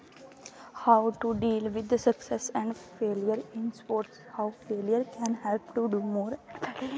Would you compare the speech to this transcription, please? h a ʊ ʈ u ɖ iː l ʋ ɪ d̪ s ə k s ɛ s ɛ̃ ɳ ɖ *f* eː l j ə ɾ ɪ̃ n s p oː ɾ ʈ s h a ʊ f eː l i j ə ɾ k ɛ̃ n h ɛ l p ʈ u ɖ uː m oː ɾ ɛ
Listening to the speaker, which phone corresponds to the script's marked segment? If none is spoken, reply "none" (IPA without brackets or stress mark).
f